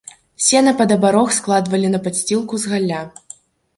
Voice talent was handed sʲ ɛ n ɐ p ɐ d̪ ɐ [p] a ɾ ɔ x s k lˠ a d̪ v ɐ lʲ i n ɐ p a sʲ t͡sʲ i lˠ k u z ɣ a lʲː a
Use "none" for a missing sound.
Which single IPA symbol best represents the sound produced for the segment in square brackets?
b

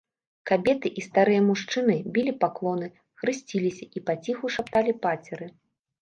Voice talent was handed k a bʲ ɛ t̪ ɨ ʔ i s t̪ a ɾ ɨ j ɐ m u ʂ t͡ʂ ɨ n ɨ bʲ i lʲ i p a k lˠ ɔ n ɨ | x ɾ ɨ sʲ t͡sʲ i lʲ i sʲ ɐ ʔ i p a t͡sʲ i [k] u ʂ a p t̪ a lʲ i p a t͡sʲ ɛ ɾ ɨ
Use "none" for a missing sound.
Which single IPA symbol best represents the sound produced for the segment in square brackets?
x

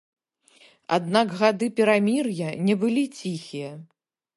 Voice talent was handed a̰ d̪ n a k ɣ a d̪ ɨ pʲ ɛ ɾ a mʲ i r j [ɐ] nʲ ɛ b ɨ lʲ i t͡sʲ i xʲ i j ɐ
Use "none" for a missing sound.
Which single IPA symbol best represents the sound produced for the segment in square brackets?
ɐ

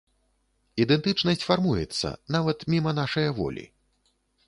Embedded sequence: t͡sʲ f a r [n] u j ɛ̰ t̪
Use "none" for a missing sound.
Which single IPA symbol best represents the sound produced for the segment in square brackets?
m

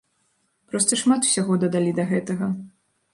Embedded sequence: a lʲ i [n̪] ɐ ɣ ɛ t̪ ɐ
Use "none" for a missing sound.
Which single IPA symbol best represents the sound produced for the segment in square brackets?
d̪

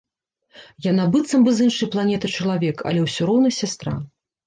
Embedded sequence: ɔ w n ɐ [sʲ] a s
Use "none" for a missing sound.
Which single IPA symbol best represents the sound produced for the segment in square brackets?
sʲ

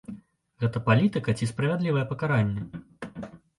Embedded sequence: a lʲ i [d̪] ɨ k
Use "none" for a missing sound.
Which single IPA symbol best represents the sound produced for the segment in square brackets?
t̪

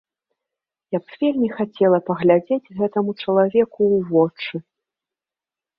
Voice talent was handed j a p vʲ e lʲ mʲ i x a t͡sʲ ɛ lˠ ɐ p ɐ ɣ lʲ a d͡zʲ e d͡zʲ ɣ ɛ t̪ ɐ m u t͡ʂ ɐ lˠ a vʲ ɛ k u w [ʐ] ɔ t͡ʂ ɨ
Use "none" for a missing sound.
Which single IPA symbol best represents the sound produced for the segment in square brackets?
v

